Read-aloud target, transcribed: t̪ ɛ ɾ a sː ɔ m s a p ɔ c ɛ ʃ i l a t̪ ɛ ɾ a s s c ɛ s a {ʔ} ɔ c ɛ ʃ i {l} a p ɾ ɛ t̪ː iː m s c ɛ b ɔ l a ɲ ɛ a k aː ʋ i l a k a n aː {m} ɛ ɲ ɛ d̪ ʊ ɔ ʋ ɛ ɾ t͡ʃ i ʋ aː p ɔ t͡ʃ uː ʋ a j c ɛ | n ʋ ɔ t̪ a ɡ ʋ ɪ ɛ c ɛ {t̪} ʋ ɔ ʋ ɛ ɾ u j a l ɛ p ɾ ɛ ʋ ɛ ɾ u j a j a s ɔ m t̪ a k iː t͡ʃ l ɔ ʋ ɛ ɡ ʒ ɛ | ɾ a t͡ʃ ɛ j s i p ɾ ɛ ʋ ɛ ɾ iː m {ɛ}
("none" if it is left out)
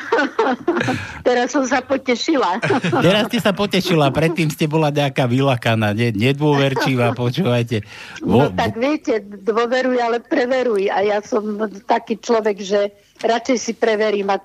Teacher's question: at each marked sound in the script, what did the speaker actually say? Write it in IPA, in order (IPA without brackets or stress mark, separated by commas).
p, l, ɲ, d̪, a